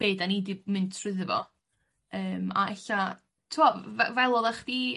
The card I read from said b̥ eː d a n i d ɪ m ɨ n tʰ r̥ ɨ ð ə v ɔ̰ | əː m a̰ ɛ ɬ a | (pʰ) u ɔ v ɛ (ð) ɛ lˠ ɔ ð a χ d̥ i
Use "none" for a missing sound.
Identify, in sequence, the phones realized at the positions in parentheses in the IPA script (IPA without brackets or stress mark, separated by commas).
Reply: tʰ, v